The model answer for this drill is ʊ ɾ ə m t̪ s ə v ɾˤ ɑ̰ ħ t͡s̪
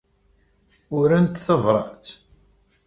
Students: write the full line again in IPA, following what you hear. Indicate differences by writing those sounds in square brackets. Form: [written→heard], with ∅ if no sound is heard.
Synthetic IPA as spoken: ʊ ɾ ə [m→n] t̪ [s→θ] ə v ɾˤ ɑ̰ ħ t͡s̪